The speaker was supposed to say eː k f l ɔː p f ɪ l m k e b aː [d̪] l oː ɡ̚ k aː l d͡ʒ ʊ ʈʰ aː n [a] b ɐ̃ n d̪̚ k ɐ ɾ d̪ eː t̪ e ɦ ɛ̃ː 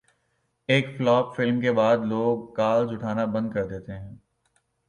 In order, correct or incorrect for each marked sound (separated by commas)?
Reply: correct, correct